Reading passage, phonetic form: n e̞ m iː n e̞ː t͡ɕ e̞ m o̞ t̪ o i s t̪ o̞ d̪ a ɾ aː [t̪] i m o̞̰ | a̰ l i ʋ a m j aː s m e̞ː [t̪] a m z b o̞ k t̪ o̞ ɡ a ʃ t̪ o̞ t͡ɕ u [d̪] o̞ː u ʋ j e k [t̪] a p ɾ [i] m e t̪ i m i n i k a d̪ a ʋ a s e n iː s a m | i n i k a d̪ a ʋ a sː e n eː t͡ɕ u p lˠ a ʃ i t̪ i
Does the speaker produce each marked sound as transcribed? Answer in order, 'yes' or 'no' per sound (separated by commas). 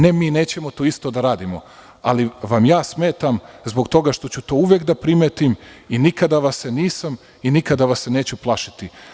no, yes, no, no, yes